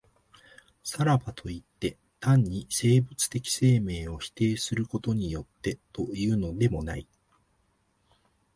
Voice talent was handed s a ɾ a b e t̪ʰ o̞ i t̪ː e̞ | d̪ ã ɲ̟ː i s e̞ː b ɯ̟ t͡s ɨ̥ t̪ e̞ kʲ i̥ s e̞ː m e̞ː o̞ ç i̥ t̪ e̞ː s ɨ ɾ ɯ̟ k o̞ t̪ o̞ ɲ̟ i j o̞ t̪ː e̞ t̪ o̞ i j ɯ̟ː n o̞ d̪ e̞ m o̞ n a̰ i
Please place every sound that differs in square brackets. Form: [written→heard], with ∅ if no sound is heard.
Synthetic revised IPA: s a ɾ a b [e→a] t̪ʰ o̞ i t̪ː e̞ | [d̪→t̪] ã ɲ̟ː i s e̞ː b ɯ̟ t͡s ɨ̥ t̪ e̞ kʲ i̥ s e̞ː m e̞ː o̞ ç i̥ t̪ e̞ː s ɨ ɾ ɯ̟ k o̞ t̪ o̞ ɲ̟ i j o̞ t̪ː e̞ t̪ o̞ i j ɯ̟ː n o̞ d̪ e̞ m o̞ n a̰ i